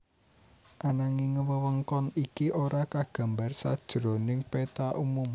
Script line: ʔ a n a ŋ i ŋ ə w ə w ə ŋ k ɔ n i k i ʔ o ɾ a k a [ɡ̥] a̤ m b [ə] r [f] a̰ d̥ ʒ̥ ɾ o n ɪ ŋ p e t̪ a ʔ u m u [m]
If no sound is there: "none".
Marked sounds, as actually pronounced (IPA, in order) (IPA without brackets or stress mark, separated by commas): ɡ̥, a, s, m